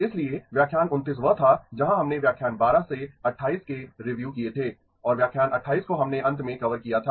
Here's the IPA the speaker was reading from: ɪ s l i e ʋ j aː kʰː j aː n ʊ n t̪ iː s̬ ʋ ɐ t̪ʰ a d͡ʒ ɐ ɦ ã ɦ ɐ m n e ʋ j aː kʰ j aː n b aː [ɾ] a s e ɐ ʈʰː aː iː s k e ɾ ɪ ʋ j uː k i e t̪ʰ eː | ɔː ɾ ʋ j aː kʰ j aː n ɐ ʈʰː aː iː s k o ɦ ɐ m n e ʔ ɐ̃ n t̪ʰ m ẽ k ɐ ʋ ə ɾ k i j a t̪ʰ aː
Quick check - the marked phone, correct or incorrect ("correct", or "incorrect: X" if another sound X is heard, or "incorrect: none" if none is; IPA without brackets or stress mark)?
correct